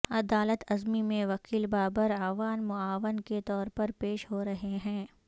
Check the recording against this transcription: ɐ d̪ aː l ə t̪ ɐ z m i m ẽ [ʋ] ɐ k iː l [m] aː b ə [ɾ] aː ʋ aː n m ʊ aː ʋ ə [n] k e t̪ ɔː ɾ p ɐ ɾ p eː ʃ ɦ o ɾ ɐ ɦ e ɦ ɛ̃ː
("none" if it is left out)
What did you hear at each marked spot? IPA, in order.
ʋ, b, ɾ, n

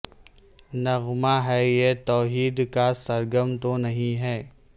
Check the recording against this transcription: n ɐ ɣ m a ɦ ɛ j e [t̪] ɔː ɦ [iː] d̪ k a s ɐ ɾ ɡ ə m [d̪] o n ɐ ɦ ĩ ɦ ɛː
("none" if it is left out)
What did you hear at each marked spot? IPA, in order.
t̪, iː, t̪

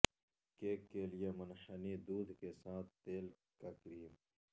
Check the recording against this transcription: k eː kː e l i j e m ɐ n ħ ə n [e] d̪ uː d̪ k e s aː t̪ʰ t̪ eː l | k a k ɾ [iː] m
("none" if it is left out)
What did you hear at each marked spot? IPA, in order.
i, iː

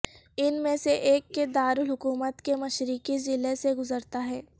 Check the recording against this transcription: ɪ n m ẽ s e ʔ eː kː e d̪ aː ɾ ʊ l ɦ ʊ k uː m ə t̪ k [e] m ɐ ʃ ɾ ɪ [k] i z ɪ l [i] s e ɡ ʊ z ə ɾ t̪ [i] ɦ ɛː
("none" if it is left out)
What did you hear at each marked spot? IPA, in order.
e, k, e, a

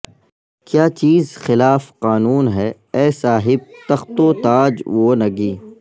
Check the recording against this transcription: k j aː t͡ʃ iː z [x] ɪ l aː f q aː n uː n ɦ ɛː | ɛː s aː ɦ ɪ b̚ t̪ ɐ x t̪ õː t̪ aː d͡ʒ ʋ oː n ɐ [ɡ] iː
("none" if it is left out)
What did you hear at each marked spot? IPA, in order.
x, ɡ

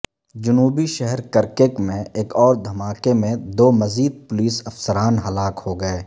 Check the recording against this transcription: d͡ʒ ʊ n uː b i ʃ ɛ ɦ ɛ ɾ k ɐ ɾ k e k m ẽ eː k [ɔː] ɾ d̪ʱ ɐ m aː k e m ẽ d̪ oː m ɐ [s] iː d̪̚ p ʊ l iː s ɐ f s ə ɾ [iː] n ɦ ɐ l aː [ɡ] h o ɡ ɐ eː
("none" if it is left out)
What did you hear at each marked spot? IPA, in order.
ɔː, z, aː, k

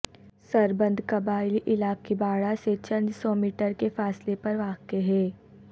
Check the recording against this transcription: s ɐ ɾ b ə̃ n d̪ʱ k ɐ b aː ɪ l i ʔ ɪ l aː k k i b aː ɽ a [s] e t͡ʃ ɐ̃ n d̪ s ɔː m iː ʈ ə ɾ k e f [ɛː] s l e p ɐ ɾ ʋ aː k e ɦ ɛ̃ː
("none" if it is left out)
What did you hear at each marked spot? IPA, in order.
s, aː

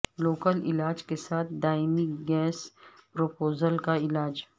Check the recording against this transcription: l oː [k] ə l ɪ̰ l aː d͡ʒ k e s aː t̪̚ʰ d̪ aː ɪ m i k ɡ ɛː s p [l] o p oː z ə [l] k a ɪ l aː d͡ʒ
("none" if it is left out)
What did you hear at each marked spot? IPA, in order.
k, ɾ, l

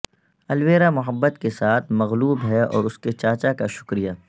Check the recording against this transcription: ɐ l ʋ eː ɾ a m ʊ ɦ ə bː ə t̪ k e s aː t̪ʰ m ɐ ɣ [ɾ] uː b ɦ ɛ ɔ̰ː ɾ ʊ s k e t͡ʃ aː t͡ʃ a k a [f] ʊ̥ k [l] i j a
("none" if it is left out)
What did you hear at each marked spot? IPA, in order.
l, ʃ, ɾ

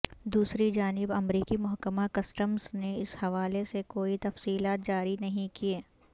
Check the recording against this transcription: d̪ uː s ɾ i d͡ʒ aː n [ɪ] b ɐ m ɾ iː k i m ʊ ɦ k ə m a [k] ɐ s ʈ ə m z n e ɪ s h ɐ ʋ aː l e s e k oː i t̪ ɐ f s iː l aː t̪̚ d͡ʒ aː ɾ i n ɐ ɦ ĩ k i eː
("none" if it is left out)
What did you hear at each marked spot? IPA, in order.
ɪ, k

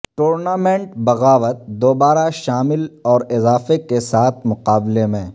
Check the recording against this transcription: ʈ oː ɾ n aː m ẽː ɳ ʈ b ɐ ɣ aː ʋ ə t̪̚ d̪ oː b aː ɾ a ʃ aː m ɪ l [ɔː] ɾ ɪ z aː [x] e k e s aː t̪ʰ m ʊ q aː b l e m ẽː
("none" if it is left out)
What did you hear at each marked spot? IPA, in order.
ɔː, f

